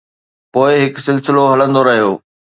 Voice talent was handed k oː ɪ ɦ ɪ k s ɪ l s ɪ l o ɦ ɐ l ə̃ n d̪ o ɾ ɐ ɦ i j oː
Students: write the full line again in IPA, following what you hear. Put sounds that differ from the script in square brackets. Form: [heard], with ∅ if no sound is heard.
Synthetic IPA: [p] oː ɪ ɦ ɪ k s ɪ l s ɪ l o ɦ ɐ l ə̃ n d̪ o ɾ ɐ ɦ i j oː

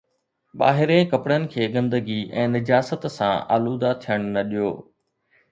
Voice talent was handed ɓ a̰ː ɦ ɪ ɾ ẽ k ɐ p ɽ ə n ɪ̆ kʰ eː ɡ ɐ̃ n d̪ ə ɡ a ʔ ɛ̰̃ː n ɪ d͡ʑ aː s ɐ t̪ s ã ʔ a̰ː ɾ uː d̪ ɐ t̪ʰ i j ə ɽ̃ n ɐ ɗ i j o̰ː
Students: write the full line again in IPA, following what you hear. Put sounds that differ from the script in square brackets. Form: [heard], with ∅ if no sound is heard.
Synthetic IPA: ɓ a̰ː ɦ ɪ ɾ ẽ k ɐ p ɽ ə n ɪ̆ kʰ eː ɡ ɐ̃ n d̪ ə ɡ [i] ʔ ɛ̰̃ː n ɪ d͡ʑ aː s [ə] t̪ s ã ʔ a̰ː [l] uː d̪ [a] t̪ʰ i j ə ɽ̃ n ɐ ɗ i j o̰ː

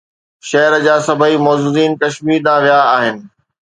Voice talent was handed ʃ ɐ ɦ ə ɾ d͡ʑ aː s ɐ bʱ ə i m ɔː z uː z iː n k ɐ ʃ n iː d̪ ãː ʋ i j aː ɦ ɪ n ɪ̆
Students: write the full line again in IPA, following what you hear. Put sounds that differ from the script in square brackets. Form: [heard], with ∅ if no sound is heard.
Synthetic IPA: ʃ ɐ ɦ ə ɾ d͡ʑ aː s ɐ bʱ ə i m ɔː z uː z iː n k ɐ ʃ [m] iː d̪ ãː ʋ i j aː ɦ ɪ n ɪ̆

